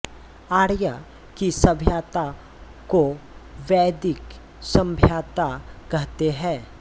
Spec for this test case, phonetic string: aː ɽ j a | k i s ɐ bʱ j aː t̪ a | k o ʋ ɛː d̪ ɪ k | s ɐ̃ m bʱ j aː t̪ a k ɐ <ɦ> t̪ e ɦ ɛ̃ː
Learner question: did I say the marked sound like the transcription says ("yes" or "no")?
yes